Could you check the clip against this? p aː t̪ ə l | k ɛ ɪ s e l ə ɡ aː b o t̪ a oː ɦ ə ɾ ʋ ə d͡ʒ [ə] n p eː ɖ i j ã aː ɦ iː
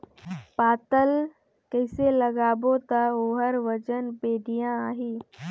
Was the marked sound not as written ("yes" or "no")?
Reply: no